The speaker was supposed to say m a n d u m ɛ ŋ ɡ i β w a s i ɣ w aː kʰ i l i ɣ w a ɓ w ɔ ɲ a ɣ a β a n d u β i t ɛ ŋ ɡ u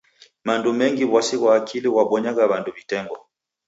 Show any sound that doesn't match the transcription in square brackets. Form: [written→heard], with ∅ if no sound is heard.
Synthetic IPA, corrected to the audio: m a n d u m ɛ ŋ ɡ i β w a s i ɣ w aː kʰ i l i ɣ w a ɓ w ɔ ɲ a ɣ a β a n d u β i t ɛ ŋ ɡ [u→ɔ]